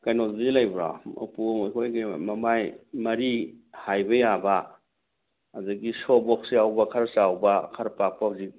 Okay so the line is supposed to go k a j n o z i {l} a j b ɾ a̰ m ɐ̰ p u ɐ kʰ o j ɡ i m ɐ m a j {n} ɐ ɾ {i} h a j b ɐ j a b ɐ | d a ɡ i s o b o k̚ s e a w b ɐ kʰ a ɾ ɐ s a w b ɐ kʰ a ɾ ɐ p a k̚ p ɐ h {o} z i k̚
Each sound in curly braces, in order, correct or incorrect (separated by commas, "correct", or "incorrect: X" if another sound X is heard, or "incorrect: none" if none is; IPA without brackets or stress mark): correct, incorrect: m, correct, incorrect: u